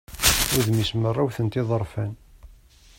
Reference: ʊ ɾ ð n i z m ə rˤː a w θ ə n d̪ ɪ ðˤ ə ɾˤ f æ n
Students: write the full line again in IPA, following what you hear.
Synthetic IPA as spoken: ʊ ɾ ð m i s m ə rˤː a w θ ə n t̪ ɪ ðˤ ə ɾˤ f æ n

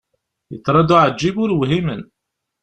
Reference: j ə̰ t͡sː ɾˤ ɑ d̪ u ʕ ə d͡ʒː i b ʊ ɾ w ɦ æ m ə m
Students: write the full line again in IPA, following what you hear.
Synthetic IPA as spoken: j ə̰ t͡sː ɾˤ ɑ d̪ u ʕ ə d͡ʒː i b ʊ ɾ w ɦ i m ə n

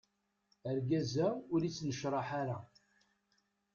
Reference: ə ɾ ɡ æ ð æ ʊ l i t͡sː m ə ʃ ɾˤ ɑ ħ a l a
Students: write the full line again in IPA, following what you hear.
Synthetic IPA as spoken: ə ɾ ɡ æ z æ ʊ ɾ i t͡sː n ə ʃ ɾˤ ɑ ħ a ɾ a

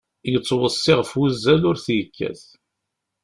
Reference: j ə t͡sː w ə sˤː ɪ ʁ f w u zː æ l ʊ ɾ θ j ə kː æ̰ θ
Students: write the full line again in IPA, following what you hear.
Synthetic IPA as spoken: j ə t͡sː w ə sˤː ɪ ʁ f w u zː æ l ʊ ɾ θ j ə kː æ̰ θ

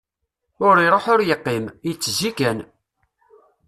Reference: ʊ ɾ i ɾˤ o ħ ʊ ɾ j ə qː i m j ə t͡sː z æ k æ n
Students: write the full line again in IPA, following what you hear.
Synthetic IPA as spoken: ʊ ɾ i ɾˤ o ħ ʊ ɾ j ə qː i m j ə t͡sː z i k æ n

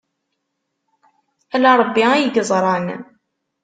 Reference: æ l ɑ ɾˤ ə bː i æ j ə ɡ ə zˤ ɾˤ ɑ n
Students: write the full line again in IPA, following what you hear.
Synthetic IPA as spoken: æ l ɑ ɾˤ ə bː i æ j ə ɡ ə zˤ ɾˤ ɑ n

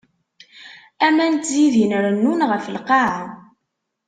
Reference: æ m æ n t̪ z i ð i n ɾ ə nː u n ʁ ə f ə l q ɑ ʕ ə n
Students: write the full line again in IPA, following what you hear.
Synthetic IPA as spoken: æ m æ n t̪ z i ð i n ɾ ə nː u n ʁ ə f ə l q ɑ ʕ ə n

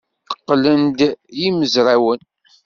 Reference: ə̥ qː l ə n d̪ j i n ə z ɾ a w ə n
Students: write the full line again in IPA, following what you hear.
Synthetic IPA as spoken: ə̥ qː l ə n d̪ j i m ə z ɾ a w ə n

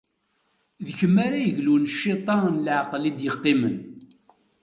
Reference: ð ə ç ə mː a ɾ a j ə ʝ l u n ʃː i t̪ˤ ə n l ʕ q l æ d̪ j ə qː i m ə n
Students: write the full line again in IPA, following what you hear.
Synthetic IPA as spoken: ð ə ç ə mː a ɾ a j ə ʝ l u n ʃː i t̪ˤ ɑ n l ʕ q l i d̪ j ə qː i m ə n

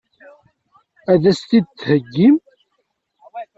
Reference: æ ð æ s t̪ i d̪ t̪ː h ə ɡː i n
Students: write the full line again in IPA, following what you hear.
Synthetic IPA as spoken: æ ð æ s t̪ i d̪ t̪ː h ə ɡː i m

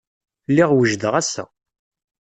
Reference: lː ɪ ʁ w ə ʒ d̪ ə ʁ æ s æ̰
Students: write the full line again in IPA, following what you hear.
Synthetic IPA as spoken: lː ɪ ʁ w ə ʒ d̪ ə ʁ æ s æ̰

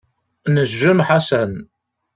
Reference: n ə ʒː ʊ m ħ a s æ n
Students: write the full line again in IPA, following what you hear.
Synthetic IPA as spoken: n ə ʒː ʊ m ħ a s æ n

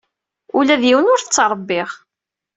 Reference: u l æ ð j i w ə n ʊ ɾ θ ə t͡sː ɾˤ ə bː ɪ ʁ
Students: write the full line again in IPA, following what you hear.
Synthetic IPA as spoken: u l æ ð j i w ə n ʊ ɾ θ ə t͡sː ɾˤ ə bː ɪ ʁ

